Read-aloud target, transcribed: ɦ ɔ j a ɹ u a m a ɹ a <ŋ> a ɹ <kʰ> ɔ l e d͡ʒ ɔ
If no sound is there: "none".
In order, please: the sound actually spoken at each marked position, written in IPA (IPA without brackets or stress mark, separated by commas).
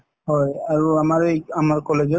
m, k